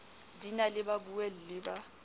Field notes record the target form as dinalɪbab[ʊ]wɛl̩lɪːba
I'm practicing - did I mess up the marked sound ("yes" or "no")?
yes